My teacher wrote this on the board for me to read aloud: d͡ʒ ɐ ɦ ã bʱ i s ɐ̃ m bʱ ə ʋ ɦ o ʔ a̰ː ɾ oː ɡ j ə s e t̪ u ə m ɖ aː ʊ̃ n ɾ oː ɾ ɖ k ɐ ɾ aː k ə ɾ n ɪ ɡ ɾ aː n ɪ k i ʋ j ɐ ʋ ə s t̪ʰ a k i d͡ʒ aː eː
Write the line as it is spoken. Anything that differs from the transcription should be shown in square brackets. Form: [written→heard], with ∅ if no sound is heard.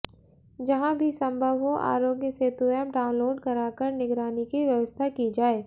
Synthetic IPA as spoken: d͡ʒ ɐ ɦ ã bʱ i s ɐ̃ m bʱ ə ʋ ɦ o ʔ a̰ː ɾ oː ɡ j ə s e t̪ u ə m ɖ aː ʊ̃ n [ɾ→l] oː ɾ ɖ k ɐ ɾ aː k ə ɾ n ɪ ɡ ɾ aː n [ɪ→i] k i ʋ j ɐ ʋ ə s t̪ʰ a k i d͡ʒ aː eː